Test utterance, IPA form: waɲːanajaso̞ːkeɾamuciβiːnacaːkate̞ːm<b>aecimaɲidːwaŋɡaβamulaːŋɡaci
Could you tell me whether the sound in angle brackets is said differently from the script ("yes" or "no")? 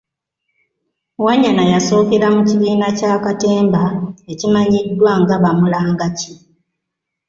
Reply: no